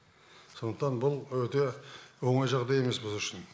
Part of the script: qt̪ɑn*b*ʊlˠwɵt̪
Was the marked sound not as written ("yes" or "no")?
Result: no